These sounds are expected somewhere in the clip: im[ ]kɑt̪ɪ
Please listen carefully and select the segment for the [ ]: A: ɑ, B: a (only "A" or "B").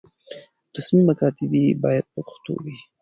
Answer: B